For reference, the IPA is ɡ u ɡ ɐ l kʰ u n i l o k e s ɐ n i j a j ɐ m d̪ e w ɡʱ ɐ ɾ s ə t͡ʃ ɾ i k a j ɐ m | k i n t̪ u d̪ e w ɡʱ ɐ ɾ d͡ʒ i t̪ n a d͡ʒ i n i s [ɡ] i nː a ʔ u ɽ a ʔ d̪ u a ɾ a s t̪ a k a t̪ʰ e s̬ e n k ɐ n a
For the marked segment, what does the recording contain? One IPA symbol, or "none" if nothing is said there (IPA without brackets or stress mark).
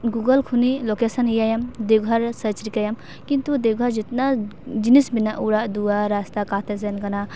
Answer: b